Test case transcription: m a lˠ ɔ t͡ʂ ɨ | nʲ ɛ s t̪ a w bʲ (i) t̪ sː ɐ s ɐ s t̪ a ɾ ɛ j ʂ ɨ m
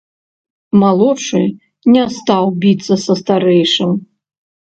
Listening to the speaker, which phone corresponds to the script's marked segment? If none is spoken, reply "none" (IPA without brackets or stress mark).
i